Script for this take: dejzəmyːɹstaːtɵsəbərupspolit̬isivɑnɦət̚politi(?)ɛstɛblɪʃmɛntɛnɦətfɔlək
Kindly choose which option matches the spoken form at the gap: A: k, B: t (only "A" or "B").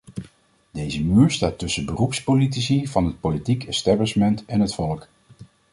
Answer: A